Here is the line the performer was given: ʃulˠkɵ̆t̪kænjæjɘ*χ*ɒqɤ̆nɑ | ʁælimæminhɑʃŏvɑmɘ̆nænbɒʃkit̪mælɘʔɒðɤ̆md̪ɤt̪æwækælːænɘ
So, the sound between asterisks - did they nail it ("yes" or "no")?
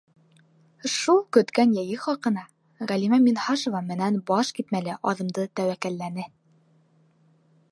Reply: yes